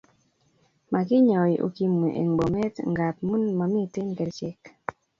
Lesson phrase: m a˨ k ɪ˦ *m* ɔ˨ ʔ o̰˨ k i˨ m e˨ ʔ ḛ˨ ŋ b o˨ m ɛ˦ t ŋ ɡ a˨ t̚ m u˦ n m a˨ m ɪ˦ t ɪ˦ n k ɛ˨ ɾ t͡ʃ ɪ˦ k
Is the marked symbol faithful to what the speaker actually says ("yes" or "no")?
no